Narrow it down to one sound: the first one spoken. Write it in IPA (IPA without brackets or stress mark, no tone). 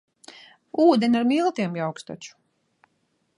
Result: uː